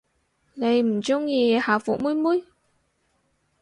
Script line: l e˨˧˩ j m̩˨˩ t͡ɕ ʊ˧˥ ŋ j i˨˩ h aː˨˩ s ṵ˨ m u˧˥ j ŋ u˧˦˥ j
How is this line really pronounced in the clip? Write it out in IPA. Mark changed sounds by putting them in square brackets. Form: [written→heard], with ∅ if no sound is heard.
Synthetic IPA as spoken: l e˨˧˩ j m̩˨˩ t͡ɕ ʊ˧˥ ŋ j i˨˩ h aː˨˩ [s→f] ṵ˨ m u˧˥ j [ŋ→m] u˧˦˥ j